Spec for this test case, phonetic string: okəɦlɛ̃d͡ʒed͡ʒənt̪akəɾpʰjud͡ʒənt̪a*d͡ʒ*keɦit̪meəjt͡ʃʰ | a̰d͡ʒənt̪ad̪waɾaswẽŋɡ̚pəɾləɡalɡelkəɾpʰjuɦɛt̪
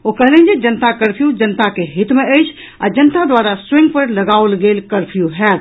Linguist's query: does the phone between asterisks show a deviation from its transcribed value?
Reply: yes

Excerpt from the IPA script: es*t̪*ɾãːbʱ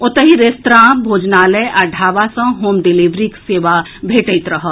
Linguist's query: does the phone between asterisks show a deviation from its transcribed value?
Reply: no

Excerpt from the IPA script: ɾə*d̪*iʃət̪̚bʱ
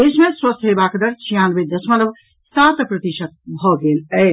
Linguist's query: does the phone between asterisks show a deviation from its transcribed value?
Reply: yes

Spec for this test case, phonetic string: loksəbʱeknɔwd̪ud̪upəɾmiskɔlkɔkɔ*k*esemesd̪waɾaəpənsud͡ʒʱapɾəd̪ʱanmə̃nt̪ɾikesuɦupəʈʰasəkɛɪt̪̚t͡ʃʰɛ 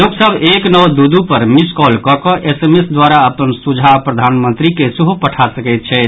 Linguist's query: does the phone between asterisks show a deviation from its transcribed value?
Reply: yes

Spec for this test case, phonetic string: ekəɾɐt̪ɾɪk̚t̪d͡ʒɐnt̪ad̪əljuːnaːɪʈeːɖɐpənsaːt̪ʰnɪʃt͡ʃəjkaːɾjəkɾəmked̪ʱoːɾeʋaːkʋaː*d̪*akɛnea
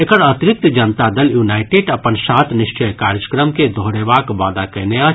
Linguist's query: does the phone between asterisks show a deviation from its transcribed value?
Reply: no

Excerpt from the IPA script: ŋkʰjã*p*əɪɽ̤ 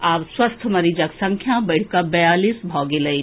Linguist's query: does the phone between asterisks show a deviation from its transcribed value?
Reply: yes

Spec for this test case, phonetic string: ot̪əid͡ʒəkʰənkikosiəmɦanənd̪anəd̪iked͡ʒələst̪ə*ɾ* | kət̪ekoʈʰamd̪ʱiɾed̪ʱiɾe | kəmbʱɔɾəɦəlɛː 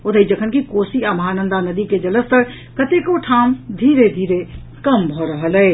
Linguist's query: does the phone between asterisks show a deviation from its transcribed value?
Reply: no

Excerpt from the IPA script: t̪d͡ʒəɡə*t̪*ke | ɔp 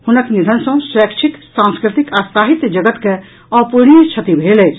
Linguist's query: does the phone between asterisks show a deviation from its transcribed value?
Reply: no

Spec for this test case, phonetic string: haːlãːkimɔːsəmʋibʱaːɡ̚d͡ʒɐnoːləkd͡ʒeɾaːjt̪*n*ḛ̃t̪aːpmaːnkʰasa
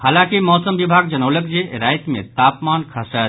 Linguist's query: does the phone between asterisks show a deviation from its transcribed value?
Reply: yes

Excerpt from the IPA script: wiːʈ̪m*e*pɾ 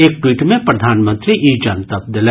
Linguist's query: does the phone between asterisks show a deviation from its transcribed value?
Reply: yes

